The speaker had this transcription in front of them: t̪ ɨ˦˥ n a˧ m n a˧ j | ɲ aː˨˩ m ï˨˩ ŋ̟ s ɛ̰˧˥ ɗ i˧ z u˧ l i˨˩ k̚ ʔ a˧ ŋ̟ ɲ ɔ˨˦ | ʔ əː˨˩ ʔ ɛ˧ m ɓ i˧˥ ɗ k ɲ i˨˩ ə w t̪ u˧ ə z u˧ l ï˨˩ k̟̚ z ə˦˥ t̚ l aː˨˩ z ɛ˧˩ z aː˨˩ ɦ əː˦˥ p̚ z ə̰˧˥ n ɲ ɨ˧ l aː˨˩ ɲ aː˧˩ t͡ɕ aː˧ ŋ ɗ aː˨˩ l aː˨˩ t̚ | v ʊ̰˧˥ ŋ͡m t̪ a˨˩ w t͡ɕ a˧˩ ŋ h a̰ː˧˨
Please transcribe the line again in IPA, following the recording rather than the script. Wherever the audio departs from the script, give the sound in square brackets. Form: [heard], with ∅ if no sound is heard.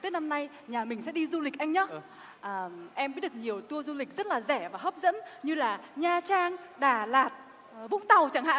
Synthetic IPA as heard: t̪ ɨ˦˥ n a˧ m n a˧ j | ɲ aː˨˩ m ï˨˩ ŋ̟ s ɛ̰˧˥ ɗ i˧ z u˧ l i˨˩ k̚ ʔ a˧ ŋ̟ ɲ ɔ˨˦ | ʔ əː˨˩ ʔ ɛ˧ m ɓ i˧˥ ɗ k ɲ i˨˩ ə w t̪ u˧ ə z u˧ l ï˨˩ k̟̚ z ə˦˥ t̚ l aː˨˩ z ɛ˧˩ [v] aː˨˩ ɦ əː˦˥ p̚ z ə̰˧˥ n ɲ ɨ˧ l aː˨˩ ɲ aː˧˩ t͡ɕ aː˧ ŋ ɗ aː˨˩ l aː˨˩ t̚ | v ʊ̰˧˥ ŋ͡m t̪ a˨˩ w t͡ɕ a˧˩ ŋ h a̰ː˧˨